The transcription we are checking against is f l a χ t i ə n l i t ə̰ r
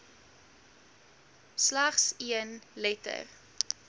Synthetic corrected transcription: s l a χ s i ə n l ɛ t ə̰ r